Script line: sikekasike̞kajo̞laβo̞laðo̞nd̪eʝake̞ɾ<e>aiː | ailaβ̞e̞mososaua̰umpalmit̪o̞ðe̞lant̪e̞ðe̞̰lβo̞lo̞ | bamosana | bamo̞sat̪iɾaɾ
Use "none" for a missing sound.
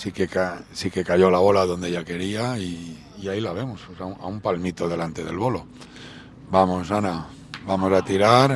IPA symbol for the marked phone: i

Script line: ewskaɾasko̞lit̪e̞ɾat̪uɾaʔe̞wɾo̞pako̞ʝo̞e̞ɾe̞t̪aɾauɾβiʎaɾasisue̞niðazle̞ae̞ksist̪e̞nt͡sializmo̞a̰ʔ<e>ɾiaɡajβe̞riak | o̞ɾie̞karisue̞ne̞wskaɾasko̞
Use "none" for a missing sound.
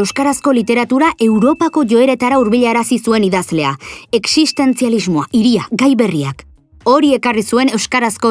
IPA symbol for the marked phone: i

